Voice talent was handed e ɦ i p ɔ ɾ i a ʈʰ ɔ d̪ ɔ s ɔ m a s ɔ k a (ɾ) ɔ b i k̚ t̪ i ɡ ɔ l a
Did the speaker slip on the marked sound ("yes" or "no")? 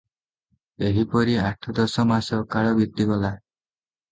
yes